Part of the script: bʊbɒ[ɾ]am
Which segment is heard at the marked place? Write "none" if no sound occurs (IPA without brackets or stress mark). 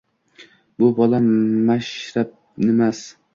l